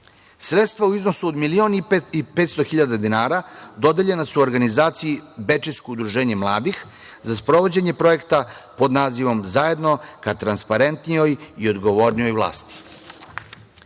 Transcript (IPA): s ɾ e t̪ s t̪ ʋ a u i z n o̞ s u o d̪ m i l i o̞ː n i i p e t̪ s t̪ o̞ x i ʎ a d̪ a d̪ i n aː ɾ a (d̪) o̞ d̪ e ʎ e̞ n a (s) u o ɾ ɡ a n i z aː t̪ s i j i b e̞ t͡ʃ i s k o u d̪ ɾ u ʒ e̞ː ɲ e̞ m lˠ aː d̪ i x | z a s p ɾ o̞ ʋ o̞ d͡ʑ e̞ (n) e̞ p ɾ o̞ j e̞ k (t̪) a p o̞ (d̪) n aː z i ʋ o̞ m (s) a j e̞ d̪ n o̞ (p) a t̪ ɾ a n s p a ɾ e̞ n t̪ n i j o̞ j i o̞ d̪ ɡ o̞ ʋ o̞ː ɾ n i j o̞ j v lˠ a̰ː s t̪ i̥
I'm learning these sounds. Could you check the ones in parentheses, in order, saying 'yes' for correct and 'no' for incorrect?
yes, yes, no, yes, yes, no, no

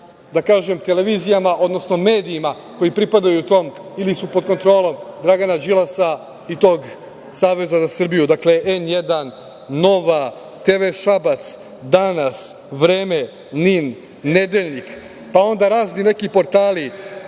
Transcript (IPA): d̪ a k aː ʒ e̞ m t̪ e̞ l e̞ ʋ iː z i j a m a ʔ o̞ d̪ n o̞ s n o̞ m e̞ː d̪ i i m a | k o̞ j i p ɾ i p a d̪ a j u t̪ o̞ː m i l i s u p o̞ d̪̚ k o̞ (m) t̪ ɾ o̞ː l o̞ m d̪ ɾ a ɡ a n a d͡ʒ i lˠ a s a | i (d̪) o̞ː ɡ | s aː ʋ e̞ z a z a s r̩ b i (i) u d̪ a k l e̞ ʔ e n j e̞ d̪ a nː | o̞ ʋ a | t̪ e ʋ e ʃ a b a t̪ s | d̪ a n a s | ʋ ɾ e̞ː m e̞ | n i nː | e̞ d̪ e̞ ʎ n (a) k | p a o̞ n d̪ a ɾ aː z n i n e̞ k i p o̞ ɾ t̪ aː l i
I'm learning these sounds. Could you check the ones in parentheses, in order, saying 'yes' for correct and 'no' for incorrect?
no, no, no, no

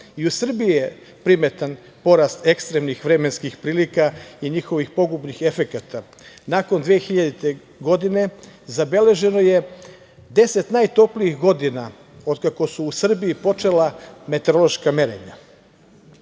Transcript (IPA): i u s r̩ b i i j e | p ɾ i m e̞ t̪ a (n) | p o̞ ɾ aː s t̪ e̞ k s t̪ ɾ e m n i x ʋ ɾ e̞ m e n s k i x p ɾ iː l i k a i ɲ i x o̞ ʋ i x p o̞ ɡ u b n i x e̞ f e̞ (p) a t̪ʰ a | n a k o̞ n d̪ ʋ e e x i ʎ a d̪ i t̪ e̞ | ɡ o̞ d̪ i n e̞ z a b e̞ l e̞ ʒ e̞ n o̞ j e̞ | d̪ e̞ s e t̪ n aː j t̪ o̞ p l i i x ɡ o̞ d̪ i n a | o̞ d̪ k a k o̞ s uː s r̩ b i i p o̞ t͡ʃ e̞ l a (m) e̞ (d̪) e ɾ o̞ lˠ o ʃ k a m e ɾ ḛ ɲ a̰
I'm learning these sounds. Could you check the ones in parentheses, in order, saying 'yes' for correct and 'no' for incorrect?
yes, no, yes, no

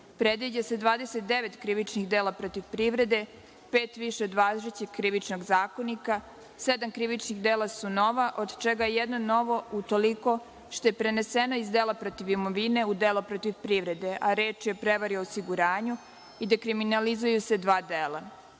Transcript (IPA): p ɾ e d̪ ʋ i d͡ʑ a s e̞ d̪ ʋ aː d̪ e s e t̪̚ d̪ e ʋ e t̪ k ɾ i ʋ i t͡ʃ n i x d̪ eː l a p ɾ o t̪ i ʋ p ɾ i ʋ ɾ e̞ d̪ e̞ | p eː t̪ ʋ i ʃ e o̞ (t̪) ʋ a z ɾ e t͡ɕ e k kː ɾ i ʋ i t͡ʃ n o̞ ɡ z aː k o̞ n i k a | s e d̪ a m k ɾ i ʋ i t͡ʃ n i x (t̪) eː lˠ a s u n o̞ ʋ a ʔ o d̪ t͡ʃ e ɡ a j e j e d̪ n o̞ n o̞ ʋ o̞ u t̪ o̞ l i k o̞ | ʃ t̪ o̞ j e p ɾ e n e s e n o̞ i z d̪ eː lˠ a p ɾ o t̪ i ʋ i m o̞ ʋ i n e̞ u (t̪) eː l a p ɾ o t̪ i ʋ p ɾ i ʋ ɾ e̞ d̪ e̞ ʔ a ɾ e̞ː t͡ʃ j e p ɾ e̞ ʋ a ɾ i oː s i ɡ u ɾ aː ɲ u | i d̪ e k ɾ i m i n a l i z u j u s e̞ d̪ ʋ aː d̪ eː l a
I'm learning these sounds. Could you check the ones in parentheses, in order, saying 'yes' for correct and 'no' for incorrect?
no, no, no

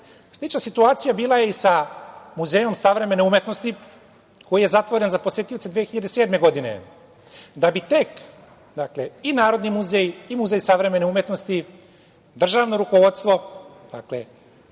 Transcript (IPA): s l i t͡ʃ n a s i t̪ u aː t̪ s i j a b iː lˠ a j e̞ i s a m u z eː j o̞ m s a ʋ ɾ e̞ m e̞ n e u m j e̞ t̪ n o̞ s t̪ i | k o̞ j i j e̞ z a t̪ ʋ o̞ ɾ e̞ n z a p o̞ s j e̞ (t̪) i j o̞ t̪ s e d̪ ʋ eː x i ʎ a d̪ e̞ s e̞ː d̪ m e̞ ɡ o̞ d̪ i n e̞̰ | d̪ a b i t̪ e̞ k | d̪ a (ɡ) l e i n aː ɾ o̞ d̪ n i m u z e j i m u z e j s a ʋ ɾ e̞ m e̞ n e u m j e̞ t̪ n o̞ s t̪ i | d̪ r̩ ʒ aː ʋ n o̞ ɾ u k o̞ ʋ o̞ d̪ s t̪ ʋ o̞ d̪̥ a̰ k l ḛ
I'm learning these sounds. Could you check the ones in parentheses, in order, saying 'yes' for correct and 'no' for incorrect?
yes, no

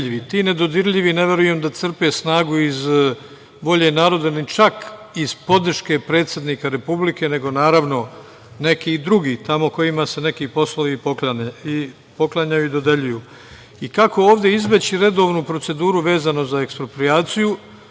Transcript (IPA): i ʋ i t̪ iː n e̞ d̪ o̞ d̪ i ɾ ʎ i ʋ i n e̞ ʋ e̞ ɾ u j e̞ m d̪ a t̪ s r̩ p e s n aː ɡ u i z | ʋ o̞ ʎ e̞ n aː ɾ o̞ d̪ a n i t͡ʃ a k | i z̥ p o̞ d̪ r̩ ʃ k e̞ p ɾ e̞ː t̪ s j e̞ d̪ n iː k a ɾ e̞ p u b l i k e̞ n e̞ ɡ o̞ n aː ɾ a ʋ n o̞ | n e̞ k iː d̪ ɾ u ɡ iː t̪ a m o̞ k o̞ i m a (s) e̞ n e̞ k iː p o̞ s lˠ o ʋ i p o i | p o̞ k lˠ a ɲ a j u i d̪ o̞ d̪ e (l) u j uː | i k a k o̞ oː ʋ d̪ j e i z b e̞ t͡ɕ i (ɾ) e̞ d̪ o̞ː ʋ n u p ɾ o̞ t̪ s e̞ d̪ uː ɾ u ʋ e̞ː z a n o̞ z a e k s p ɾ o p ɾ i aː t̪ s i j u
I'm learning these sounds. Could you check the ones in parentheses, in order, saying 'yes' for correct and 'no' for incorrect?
yes, no, yes

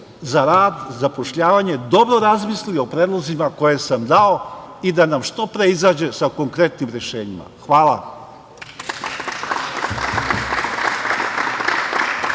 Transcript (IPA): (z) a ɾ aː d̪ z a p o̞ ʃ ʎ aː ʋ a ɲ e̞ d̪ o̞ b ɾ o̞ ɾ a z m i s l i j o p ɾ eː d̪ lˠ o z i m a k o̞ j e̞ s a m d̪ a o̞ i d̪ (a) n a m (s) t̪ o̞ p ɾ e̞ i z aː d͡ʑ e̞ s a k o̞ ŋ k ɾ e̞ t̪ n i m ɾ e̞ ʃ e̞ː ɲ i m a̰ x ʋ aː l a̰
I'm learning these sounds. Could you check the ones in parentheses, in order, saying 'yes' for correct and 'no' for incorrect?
yes, yes, no

